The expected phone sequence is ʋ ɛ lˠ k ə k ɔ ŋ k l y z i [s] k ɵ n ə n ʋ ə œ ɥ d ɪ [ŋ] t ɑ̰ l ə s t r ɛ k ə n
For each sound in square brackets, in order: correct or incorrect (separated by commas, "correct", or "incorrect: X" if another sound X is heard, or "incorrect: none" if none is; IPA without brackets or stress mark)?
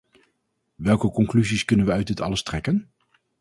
correct, incorrect: none